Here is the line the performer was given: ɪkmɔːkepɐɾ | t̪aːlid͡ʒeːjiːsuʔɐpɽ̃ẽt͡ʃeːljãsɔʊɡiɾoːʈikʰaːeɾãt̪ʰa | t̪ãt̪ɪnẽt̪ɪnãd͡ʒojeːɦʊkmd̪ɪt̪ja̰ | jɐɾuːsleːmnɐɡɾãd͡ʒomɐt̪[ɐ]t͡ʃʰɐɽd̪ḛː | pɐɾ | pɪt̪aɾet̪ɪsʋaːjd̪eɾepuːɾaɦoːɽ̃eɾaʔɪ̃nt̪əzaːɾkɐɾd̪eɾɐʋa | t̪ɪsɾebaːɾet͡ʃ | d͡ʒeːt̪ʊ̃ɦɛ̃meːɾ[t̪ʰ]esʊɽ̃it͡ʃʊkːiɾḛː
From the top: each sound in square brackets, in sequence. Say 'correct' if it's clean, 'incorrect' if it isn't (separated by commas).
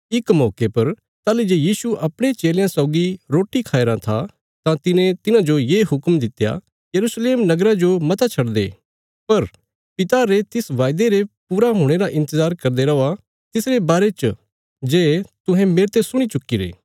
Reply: incorrect, incorrect